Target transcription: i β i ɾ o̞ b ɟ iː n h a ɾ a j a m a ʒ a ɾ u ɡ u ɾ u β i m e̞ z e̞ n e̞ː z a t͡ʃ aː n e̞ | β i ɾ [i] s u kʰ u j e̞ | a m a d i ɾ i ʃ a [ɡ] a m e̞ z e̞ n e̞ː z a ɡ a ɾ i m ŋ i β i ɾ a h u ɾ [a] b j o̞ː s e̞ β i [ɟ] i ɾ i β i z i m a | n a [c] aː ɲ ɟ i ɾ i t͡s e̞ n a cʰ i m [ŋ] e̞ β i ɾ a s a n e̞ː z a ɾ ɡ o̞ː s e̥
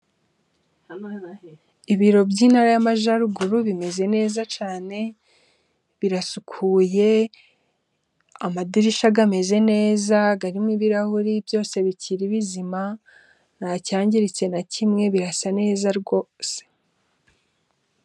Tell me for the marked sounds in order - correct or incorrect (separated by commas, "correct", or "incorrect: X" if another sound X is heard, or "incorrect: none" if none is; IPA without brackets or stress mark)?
incorrect: a, correct, incorrect: i, incorrect: c, correct, correct